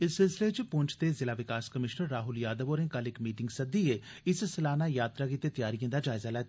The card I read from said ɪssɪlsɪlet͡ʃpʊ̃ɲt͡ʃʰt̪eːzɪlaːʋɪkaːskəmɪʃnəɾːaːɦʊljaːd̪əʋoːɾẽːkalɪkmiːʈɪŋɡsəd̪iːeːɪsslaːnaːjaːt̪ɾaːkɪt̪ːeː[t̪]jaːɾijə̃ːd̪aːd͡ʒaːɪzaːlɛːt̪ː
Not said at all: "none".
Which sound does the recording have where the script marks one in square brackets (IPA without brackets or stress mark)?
t̪